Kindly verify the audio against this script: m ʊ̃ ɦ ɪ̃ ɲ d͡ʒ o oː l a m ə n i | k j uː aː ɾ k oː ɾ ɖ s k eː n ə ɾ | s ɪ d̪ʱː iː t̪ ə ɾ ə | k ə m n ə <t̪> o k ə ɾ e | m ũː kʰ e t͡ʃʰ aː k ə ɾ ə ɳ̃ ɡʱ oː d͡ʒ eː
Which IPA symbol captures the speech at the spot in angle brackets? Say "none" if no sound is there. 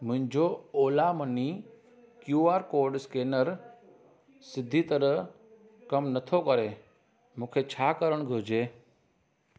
t̪ʰ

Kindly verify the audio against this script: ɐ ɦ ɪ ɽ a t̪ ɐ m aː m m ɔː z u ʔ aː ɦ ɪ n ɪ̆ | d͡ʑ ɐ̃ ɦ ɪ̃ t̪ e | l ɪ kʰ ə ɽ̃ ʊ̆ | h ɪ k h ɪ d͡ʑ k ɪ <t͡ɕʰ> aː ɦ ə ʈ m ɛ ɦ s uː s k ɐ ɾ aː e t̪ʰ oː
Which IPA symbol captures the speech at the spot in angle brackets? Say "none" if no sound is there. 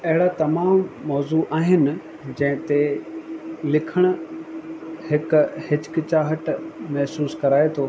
t͡ɕ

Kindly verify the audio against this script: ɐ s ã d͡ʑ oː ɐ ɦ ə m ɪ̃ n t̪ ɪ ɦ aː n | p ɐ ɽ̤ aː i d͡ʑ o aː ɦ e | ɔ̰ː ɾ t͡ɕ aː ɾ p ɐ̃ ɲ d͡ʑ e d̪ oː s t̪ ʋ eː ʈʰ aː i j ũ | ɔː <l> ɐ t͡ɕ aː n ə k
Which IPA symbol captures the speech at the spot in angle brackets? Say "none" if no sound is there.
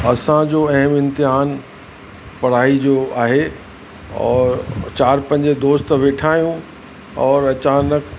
ɾ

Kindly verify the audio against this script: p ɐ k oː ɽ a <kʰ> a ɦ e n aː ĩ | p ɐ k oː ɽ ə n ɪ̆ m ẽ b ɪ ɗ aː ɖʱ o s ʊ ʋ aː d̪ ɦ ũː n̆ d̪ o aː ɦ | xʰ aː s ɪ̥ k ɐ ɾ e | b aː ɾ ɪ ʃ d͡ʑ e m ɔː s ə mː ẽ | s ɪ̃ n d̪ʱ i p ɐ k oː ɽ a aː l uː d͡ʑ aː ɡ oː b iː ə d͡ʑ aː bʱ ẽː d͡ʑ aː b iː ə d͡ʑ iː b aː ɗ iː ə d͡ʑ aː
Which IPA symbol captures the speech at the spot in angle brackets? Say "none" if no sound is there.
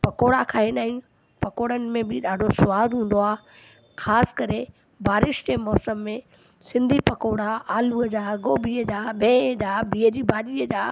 kʰ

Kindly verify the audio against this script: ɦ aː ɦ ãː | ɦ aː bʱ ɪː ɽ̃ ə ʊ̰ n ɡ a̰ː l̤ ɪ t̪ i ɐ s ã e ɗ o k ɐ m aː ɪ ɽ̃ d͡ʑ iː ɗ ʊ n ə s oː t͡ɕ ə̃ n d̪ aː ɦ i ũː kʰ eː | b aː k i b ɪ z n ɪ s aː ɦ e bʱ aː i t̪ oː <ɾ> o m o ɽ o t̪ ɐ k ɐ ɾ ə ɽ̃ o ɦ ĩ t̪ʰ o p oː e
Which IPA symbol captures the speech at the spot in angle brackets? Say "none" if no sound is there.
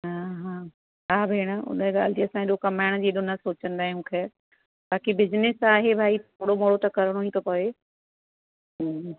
ɽ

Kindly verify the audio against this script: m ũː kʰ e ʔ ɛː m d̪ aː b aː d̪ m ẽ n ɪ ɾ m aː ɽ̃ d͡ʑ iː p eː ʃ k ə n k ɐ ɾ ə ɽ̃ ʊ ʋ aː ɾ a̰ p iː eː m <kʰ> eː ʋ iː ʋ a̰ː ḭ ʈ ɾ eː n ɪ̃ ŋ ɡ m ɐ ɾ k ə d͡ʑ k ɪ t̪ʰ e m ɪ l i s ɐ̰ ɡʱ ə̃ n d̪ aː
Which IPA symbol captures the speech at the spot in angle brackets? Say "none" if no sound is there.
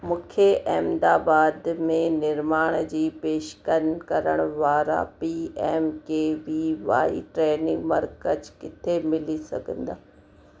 k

